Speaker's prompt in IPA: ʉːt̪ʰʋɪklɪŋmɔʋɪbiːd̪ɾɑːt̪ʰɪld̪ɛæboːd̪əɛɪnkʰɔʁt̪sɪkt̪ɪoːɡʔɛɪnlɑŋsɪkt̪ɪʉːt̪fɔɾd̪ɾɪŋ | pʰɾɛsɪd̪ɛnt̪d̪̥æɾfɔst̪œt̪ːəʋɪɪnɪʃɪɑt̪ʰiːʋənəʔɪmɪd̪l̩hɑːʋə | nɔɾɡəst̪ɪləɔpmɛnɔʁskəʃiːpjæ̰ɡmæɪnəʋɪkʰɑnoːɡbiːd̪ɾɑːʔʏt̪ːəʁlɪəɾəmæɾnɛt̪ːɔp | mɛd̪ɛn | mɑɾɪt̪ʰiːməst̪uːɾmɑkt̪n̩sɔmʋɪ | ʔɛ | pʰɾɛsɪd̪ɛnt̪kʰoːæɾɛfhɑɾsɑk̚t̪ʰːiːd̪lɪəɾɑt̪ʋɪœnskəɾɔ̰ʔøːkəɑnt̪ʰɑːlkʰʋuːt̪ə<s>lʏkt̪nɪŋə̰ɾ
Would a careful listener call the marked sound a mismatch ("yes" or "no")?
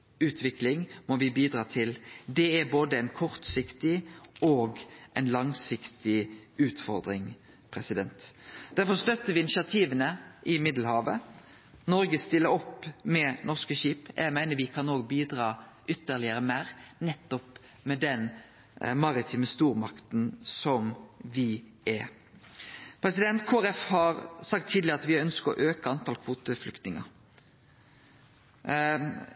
yes